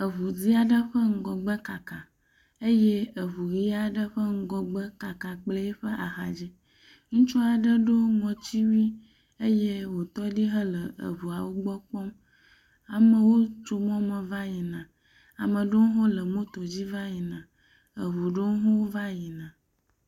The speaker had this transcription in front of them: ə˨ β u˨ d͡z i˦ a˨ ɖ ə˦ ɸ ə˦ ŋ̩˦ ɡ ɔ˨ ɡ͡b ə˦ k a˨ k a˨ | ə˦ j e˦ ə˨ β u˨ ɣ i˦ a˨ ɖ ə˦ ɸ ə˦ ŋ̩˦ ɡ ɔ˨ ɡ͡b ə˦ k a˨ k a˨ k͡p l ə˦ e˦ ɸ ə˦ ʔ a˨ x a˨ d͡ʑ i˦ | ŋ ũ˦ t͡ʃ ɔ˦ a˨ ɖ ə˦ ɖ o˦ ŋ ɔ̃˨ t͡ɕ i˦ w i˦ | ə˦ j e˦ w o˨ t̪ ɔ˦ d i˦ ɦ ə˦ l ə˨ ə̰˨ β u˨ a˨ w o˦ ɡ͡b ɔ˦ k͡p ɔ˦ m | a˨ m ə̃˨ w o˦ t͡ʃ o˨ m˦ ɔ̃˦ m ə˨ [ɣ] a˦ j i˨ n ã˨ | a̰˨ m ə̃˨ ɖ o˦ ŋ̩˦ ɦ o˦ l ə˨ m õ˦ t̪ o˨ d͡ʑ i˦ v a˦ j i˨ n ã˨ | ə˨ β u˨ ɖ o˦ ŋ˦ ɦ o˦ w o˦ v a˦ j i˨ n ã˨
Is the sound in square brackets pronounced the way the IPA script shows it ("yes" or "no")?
no